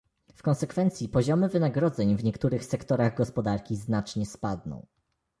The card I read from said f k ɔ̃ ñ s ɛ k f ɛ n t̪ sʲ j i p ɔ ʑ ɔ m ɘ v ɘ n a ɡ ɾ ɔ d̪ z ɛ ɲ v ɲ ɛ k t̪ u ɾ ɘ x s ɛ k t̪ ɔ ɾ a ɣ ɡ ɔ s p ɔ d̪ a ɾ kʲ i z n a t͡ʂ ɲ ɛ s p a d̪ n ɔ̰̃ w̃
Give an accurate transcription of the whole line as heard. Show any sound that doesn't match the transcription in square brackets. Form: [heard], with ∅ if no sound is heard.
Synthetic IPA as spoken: f k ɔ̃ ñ s ɛ k f ɛ n t̪ sʲ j i p ɔ ʑ ɔ m ɘ v ɘ n a ɡ ɾ ɔ d̪ z ɛ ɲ v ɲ ɛ k t̪ u ɾ ɘ x s ɛ k t̪ ɔ ɾ a ɣ ɡ ɔ s p ɔ d̪ a ɾ kʲ i z n a t͡ʂ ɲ ɛ s p a d̪ n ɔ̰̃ w̃